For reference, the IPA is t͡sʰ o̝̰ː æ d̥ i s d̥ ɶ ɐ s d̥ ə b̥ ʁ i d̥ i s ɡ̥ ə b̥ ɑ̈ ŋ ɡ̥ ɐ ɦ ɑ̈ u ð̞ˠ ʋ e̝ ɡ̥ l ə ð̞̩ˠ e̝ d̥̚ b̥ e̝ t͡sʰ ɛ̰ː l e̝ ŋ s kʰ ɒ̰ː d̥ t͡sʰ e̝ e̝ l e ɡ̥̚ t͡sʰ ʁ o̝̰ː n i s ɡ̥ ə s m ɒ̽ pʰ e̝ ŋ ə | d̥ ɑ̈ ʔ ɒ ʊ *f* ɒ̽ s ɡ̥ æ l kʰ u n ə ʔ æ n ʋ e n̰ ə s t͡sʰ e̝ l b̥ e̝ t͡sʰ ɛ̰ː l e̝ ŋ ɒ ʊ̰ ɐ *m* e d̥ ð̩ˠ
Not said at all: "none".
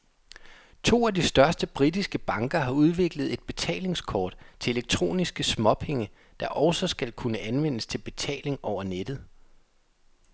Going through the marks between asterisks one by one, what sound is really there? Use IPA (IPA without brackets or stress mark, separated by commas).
s, n